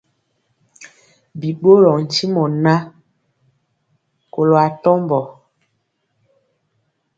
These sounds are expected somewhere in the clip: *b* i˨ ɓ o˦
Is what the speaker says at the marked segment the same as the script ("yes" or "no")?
yes